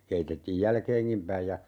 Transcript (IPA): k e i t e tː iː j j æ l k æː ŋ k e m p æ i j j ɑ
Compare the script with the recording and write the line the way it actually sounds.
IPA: k e i t e tː iː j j æ l k eː ŋ k i m p æ i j j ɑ